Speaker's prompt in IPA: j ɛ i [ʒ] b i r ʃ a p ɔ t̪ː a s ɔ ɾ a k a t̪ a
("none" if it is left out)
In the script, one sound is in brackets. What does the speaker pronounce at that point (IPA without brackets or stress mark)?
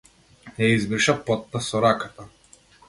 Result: z